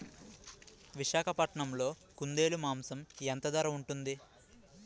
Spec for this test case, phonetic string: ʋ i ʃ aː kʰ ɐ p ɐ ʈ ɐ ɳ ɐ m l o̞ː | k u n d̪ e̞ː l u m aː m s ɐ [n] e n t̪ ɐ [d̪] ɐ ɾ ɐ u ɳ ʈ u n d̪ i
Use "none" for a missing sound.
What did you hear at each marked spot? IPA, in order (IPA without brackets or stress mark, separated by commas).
m, d̪